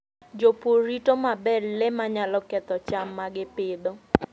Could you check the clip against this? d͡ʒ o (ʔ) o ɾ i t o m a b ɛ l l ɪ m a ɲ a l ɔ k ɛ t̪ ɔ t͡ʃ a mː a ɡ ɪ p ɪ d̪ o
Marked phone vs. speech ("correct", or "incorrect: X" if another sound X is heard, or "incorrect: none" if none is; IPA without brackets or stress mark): incorrect: p